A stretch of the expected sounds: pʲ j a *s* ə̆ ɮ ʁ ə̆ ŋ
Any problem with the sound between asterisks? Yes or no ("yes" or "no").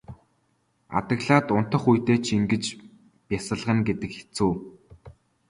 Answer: no